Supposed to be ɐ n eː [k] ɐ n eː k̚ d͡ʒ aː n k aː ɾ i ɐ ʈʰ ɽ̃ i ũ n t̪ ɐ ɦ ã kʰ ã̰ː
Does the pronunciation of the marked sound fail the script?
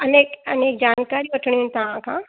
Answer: no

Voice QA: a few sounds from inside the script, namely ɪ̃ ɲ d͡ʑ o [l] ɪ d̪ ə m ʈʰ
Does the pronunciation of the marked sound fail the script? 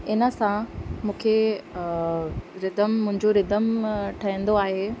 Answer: yes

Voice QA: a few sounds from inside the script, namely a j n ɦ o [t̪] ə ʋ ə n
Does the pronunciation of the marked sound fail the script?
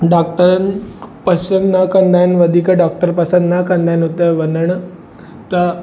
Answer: no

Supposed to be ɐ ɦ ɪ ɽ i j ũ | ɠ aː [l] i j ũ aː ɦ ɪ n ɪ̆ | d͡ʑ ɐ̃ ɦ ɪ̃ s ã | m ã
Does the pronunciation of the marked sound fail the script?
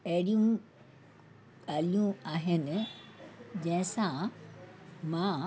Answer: no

